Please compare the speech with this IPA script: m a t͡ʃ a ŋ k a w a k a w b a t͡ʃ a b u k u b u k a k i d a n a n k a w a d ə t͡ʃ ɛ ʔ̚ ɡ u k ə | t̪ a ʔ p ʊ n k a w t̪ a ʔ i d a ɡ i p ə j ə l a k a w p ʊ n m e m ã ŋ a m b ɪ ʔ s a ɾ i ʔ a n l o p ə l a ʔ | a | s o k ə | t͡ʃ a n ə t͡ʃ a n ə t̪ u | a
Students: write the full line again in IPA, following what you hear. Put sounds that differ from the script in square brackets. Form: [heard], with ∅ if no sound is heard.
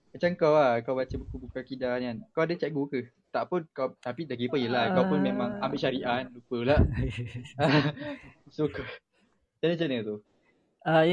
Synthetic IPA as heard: m a t͡ʃ a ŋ k a w a k a w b a t͡ʃ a b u k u b u k a k i d a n a n k a w a d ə t͡ʃ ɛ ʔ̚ ɡ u k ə | t̪ a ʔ p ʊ n k a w t̪ a [p] i d a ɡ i p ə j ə l a k a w p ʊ n m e m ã ŋ a m b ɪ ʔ [ʃ] a ɾ i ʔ a n l [u] p ə l a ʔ | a | s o k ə | t͡ʃ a n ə t͡ʃ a n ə t̪ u | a